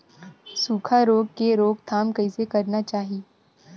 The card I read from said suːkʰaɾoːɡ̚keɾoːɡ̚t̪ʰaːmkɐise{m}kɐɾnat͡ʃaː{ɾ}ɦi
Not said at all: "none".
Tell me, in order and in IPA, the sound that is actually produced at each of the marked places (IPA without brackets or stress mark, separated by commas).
none, none